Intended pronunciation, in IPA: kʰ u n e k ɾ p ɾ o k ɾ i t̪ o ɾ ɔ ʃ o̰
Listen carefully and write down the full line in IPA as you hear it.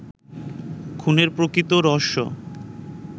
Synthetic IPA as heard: kʰ u n e ɾ p ɾ o k ɾ i t̪ o ɾ ɔ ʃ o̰